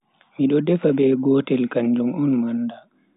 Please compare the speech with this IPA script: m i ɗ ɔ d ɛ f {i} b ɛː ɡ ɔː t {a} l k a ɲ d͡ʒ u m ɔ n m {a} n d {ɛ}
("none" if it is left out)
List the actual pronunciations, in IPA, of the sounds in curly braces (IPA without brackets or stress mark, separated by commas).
a, ɛ, a, a